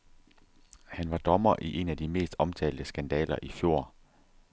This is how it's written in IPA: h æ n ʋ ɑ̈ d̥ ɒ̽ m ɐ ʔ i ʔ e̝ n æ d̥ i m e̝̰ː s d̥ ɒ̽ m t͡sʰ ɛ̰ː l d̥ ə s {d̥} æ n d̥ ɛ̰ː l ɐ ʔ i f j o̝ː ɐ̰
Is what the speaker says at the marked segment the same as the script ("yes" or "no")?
no